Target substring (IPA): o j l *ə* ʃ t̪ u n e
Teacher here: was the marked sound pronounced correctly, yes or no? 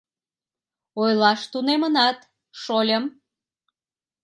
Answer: no